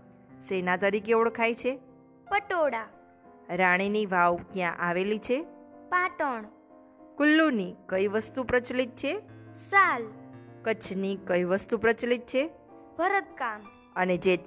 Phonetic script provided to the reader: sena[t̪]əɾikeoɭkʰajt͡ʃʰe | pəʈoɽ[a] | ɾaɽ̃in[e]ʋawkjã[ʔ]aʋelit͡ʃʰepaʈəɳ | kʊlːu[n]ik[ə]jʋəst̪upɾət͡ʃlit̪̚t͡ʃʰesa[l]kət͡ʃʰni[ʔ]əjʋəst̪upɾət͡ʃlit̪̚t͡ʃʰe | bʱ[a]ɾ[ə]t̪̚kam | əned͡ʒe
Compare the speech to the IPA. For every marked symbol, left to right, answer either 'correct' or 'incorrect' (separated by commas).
correct, correct, incorrect, correct, correct, correct, correct, incorrect, incorrect, correct